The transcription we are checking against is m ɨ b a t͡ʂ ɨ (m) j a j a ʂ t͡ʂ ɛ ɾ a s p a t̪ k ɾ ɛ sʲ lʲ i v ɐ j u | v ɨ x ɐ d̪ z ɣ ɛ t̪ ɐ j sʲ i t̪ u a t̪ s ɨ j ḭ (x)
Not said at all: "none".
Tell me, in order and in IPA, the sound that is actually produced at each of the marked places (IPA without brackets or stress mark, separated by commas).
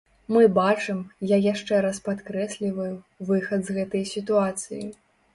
m, none